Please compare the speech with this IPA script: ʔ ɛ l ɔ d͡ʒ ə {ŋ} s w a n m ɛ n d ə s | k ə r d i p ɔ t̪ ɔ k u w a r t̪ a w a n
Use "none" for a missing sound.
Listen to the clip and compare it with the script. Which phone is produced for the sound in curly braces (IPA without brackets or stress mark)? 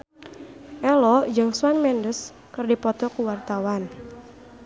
ŋ